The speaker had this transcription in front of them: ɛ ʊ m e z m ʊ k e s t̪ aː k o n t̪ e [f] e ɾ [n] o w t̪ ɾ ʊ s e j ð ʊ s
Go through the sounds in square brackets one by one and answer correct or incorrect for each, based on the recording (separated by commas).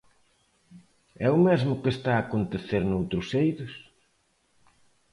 incorrect, correct